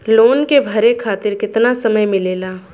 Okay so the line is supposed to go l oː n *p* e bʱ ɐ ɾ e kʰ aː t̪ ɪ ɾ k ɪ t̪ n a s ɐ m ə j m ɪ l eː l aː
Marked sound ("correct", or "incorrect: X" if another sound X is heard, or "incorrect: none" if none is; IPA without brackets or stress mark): incorrect: k